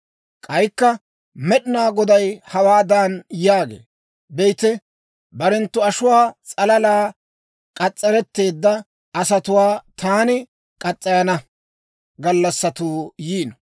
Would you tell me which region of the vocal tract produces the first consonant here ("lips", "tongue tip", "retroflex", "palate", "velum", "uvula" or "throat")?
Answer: velum